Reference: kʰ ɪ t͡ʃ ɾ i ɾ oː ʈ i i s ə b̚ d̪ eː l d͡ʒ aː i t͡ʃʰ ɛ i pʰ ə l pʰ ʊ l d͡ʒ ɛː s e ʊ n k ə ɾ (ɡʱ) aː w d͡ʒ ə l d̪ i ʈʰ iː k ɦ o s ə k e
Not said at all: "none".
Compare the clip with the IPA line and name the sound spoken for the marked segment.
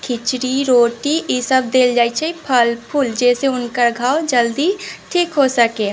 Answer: ɡʱ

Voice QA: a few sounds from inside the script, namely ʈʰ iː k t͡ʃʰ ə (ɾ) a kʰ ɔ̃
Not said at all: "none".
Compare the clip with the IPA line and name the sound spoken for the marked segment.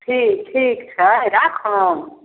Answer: ɾ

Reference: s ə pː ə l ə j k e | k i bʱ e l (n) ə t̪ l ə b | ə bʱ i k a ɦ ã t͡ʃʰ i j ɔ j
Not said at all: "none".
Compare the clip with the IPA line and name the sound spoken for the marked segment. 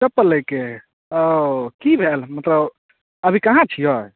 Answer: m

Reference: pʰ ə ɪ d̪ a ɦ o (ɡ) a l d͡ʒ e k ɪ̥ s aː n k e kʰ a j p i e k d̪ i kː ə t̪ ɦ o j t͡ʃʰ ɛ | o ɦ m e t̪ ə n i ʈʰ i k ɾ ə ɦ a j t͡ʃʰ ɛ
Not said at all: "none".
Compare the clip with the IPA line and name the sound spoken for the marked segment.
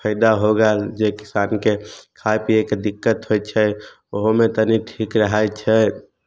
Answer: ɡ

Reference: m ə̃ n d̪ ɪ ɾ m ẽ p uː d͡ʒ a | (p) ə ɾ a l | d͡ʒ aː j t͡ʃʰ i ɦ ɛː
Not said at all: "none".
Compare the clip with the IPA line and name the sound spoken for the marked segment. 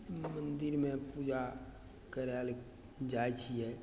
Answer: k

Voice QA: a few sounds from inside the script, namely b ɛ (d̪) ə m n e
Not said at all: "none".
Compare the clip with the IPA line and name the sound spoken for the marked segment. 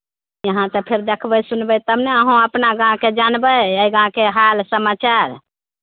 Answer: t̪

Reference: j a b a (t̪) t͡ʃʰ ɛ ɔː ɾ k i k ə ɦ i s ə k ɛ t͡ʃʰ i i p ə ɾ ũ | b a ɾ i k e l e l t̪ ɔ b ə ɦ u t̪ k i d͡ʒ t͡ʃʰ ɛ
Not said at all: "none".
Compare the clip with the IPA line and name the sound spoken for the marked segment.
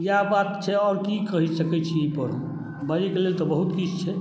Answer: t̪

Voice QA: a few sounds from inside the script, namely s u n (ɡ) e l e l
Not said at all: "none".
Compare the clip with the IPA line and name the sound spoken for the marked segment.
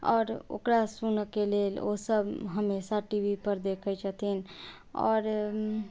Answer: k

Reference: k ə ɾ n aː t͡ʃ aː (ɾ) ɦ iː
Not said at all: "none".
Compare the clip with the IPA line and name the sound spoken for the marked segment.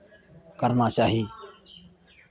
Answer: none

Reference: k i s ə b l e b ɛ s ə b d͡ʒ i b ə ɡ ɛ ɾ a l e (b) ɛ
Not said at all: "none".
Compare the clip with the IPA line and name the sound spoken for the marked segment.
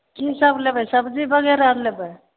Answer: b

